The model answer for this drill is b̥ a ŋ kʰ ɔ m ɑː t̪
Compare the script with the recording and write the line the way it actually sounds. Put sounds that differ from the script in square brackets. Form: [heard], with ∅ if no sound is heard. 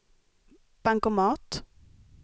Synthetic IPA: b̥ a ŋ [k] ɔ m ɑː t̪